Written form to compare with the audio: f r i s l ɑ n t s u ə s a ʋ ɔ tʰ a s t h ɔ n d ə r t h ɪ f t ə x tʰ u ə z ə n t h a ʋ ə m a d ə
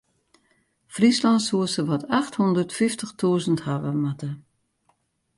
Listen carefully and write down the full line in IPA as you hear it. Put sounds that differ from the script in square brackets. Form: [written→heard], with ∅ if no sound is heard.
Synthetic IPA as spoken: f r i s l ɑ n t s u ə s [a→ə] ʋ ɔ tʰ a [s→x] t h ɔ n d ə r t [h→f] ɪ f t ə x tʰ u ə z ə n t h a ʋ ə m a [d→t] ə